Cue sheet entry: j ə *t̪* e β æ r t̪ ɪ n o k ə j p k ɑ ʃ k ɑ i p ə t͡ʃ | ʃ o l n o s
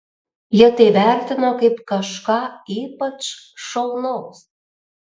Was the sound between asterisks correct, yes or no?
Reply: yes